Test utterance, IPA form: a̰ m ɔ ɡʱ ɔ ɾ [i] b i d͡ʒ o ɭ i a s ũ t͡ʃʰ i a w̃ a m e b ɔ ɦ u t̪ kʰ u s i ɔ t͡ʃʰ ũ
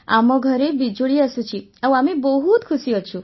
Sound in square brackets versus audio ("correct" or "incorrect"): incorrect